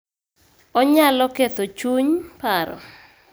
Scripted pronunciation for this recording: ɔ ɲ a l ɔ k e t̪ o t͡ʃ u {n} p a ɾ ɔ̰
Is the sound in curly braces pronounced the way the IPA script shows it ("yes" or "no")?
no